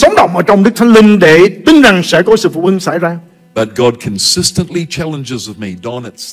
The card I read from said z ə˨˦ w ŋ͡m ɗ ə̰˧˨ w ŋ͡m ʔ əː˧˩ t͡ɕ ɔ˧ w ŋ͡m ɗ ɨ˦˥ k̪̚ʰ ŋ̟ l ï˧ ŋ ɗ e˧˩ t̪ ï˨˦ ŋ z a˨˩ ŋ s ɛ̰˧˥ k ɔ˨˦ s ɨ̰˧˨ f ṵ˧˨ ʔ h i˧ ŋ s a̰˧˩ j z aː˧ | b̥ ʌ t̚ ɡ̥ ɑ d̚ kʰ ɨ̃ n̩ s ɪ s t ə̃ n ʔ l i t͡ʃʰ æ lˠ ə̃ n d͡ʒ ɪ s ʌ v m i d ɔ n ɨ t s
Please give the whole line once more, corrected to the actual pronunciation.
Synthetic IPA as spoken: s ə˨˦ w ŋ͡m ɗ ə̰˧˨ w ŋ͡m ʔ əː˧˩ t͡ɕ ɔ˧ w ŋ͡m ɗ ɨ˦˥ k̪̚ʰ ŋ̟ l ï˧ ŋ ɗ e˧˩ t̪ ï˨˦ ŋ z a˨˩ ŋ s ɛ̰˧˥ k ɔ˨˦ s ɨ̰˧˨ f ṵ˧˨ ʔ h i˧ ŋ s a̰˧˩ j z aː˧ | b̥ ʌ t̚ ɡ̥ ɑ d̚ kʰ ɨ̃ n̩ s ɪ s t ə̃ n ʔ l i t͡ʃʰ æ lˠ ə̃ n d͡ʒ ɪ z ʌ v m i d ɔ n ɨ t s